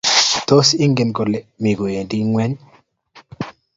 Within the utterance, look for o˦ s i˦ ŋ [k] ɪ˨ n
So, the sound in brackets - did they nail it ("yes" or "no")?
no